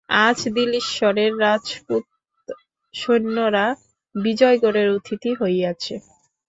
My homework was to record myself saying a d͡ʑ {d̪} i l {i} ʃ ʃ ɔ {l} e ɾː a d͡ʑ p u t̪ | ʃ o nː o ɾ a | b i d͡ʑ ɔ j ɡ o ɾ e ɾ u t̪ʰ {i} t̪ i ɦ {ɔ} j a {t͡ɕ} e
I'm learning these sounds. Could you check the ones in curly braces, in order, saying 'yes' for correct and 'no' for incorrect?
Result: yes, yes, no, yes, no, no

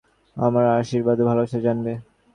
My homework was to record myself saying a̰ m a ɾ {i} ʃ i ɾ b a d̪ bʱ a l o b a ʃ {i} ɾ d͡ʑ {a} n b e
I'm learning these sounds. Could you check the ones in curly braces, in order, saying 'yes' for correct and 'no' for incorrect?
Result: no, no, yes

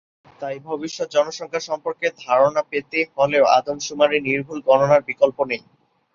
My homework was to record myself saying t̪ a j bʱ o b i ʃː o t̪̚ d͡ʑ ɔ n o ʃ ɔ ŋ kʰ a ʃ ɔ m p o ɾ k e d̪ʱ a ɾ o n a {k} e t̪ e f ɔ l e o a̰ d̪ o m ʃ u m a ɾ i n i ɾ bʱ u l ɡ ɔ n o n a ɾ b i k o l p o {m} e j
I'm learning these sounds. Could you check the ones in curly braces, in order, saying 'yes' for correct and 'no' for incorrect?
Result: no, no

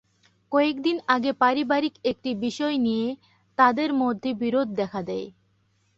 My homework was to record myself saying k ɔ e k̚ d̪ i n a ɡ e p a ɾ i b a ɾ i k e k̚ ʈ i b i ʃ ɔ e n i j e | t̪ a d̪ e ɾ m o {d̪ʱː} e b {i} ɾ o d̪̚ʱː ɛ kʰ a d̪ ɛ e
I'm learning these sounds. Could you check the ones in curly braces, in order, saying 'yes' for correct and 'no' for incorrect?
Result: yes, yes

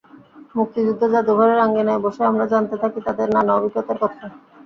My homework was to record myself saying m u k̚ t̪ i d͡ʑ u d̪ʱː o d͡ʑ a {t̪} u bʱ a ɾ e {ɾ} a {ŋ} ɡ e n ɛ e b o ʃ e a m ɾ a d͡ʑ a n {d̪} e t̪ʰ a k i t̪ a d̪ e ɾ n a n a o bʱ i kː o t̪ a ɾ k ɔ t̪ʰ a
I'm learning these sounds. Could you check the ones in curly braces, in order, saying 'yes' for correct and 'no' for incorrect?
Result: no, yes, yes, no

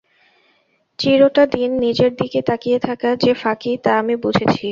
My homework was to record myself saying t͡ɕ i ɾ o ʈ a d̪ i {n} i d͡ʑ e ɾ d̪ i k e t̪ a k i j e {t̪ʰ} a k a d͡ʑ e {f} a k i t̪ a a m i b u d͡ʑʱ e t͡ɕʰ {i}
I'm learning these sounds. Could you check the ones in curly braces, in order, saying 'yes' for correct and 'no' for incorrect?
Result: no, yes, yes, yes

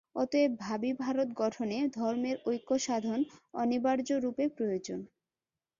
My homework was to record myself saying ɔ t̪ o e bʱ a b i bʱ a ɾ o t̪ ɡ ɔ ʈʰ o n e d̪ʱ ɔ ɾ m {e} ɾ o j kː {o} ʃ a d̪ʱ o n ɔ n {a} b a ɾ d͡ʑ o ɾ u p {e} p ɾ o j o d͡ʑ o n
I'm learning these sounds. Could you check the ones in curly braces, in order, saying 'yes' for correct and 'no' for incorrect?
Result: yes, yes, no, yes

